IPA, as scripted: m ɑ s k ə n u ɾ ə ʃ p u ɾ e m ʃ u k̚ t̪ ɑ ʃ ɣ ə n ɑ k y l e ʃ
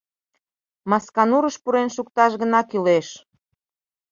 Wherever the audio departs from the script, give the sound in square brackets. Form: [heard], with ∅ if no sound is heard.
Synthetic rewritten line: m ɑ s k [ɑ] n u ɾ ə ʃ p u ɾ e [n] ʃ u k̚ t̪ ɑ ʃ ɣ ə n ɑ k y l e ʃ